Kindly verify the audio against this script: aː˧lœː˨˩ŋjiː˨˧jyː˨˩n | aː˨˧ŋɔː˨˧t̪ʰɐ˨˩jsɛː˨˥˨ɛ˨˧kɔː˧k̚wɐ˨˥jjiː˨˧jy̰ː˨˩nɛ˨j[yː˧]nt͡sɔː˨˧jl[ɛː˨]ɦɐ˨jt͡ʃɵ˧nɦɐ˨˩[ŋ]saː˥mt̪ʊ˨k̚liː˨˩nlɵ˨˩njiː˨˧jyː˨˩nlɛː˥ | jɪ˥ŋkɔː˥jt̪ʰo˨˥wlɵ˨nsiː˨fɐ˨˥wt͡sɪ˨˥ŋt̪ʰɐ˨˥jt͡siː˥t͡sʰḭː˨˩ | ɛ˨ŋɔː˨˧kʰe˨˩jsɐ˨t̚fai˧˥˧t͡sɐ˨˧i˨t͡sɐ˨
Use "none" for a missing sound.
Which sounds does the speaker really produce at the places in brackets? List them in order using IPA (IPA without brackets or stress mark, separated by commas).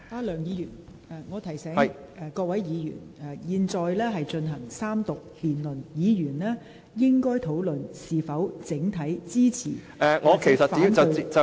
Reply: iː˧, ɛː˥, ŋ